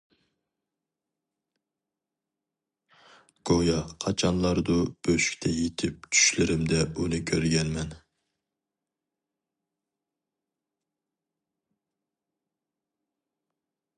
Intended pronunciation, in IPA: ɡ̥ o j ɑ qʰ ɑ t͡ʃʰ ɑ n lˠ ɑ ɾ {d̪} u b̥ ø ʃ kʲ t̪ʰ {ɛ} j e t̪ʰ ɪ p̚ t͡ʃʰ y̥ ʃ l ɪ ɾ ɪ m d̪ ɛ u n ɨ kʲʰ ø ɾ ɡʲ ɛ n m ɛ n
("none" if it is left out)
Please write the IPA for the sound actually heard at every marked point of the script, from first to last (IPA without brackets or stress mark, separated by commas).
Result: d̪, ɛ